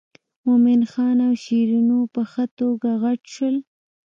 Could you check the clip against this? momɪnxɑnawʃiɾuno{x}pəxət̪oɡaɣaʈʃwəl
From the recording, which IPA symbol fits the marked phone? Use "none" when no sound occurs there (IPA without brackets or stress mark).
none